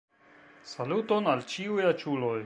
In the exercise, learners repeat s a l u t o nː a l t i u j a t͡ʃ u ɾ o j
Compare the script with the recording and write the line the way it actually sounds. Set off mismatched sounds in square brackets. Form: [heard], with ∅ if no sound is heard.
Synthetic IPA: s a l u t o [n] a l [t͡ʃ] i u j a t͡ʃ u [l] o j